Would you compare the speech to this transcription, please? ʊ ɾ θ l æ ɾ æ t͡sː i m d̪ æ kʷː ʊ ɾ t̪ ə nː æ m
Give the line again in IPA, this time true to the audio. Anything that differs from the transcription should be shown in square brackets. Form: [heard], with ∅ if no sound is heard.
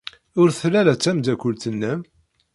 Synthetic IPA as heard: ʊ ɾ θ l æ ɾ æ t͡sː [æ] m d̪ æ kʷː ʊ [l] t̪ ə nː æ m